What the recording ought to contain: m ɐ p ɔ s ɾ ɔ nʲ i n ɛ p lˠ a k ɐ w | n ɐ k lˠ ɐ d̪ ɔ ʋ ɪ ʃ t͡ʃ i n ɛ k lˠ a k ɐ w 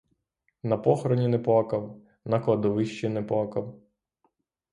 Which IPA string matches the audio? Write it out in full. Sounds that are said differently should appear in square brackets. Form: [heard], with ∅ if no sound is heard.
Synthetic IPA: [n] ɐ p ɔ [x] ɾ ɔ nʲ i n ɛ p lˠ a k ɐ w | n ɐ k lˠ ɐ d̪ ɔ ʋ ɪ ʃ t͡ʃ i n ɛ [p] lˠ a k ɐ w